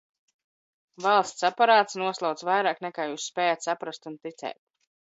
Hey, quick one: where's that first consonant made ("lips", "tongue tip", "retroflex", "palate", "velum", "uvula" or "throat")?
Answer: lips